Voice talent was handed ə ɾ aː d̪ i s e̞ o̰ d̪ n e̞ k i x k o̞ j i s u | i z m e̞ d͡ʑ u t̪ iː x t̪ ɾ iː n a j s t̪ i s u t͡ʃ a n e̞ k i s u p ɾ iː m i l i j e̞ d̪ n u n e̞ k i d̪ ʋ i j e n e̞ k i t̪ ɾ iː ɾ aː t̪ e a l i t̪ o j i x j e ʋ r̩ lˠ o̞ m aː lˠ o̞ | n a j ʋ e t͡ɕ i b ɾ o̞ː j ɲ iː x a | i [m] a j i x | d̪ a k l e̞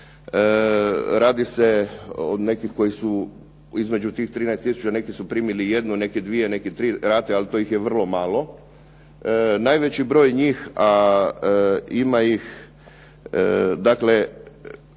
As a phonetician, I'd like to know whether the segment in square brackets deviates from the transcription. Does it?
no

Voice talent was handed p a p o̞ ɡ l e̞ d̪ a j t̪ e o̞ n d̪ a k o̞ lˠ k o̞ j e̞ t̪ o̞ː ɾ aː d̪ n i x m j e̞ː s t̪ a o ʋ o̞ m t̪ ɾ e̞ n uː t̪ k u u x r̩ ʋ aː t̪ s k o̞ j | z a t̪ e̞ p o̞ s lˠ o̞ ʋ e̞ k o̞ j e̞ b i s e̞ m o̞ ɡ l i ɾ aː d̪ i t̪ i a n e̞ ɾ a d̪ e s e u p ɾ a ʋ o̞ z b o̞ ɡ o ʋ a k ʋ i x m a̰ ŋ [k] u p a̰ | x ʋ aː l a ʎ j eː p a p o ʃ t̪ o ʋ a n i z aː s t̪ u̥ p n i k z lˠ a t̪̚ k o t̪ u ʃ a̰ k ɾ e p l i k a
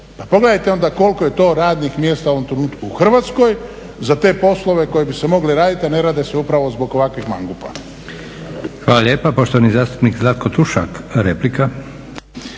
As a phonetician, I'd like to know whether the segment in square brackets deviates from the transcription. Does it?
yes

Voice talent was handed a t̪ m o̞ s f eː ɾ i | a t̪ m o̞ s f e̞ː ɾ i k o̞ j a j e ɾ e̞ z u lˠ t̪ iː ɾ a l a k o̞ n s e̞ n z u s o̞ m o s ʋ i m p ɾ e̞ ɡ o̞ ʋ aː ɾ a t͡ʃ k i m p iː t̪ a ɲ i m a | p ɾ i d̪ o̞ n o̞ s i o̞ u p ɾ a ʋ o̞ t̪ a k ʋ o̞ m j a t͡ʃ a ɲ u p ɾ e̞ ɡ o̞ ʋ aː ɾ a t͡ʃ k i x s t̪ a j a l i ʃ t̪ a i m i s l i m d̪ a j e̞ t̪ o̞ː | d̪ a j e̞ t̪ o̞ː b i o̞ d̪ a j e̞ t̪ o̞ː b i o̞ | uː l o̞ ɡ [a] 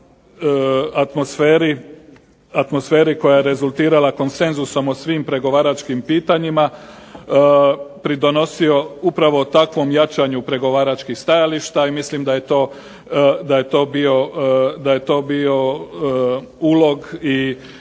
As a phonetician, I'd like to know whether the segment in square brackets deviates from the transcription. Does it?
yes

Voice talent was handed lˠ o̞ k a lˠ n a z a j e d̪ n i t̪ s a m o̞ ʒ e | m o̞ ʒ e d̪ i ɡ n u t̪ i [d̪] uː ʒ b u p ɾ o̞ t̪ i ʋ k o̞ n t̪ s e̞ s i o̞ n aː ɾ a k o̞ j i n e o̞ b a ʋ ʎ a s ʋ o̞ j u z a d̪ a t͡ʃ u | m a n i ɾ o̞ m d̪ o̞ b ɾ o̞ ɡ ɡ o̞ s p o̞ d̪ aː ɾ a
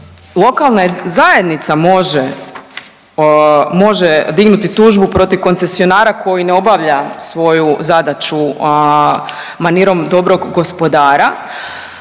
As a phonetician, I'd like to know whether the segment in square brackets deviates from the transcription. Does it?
yes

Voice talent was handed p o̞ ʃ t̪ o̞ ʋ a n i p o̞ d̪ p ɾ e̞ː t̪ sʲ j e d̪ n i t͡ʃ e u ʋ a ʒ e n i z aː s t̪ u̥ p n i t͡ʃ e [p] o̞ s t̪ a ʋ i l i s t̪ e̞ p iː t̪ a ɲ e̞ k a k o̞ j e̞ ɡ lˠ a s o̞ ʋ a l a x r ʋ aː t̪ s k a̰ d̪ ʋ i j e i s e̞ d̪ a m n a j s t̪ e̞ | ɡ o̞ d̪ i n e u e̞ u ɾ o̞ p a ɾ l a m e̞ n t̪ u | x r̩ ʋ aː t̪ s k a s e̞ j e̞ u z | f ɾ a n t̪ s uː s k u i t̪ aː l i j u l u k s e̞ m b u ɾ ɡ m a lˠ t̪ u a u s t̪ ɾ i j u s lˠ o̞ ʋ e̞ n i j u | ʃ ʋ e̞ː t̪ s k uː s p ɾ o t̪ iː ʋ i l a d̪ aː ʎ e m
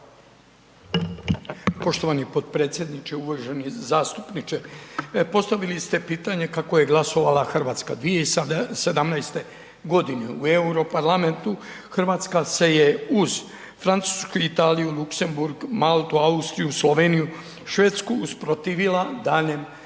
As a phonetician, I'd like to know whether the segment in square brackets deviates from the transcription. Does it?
no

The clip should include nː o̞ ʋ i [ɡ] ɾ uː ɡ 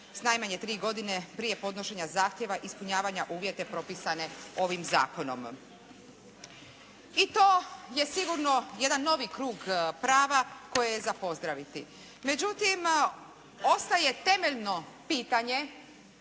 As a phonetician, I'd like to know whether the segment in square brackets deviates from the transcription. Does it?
yes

